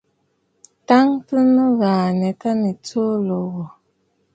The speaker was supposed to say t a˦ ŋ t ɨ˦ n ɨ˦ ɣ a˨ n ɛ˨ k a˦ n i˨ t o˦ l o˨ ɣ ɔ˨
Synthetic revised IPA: t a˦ ŋ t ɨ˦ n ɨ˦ ɣ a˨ n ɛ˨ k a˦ n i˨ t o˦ l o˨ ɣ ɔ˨